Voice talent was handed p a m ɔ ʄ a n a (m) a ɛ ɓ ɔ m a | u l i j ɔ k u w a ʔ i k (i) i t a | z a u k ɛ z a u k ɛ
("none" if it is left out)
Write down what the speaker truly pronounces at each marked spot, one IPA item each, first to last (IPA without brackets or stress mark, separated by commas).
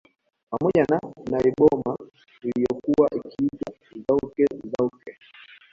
n, i